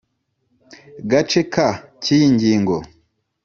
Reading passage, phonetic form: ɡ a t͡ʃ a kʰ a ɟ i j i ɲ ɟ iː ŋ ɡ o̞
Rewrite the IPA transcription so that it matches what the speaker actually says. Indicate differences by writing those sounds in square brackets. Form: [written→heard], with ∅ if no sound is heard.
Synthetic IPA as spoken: ɡ a t͡ʃ [a→e] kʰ a [ɟ→c] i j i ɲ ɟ iː ŋ ɡ o̞